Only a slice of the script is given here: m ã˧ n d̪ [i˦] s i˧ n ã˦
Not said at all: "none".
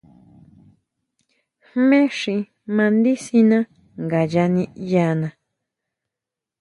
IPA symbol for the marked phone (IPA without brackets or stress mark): i˦